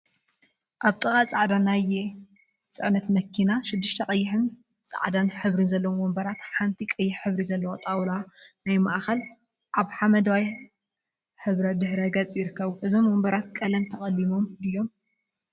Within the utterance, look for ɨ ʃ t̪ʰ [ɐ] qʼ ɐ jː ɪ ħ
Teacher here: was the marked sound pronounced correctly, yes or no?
yes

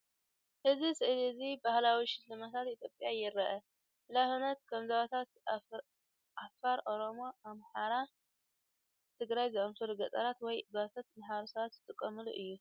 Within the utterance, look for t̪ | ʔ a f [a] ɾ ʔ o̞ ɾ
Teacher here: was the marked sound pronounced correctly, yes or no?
yes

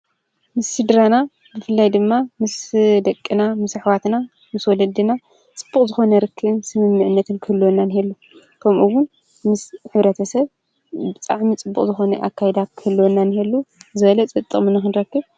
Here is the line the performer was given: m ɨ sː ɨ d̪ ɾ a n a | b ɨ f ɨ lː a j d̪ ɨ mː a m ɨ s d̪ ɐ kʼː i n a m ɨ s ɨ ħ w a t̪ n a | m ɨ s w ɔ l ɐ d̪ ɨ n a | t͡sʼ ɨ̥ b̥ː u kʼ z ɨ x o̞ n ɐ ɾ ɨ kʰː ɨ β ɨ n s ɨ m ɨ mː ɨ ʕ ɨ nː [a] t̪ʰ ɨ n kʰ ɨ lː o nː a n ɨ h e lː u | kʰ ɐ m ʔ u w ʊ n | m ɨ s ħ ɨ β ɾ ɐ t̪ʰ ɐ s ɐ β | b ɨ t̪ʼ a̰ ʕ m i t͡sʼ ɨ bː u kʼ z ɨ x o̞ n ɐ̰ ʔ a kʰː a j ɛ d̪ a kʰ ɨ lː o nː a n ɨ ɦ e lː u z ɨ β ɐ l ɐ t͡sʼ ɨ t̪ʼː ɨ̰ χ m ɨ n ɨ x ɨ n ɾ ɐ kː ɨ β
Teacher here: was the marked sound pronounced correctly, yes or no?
no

